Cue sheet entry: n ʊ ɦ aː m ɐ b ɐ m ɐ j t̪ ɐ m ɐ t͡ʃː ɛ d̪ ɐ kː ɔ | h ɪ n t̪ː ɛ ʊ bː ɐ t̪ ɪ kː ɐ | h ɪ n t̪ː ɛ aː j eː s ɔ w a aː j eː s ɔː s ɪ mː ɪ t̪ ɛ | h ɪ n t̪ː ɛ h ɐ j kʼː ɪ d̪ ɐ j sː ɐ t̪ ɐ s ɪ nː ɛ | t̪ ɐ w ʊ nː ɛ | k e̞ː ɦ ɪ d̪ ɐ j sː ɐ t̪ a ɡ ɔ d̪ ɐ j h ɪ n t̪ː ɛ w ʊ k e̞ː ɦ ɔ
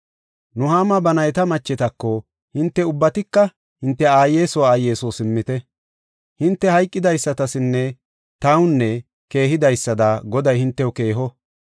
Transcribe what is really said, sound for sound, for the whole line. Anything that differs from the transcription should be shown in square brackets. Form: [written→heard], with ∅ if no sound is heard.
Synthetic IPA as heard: n ʊ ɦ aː m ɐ b ɐ [m→n] ɐ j t̪ ɐ m ɐ t͡ʃː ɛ [d̪→t̪] ɐ kː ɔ | h ɪ n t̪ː ɛ ʊ bː ɐ t̪ ɪ kː ɐ | h ɪ n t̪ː ɛ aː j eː s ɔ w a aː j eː s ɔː s ɪ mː ɪ t̪ ɛ | h ɪ n t̪ː ɛ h ɐ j kʼː ɪ d̪ ɐ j sː ɐ t̪ ɐ s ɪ nː ɛ | t̪ ɐ w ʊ nː ɛ | k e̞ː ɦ ɪ d̪ ɐ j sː ɐ [t̪→d̪] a ɡ ɔ d̪ ɐ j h ɪ n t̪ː ɛ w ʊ k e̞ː ɦ ɔ